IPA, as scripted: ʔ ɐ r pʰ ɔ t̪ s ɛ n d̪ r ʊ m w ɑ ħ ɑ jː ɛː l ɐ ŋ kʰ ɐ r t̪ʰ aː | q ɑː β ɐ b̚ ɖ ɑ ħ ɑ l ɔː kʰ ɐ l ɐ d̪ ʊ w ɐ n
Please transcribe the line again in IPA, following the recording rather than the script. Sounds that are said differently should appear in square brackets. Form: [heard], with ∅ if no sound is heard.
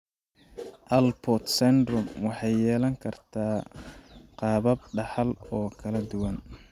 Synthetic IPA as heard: ʔ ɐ [l] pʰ ɔ t̪ s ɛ n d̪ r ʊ m w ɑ ħ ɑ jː ɛː l ɐ ŋ kʰ ɐ r t̪ʰ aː | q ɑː β ɐ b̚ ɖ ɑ ħ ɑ l ɔː kʰ ɐ l ɐ d̪ ʊ w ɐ n